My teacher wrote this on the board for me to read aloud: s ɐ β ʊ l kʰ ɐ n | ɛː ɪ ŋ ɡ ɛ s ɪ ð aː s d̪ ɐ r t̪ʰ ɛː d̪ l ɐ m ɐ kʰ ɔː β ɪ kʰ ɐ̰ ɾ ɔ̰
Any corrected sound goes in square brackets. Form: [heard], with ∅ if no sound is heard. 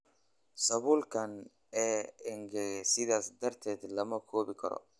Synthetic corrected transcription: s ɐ β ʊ l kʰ ɐ n | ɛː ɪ ŋ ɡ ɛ s ɪ ð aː s d̪ ɐ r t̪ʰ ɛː d̪ l ɐ m ɐ kʰ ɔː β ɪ kʰ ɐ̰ ɾ ɔ̰